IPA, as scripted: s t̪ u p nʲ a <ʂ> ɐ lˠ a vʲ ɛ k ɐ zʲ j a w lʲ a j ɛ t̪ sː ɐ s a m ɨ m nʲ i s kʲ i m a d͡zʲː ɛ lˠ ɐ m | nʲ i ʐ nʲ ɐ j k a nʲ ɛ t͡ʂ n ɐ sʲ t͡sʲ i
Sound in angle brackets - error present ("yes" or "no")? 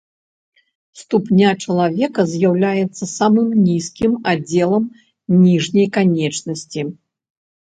yes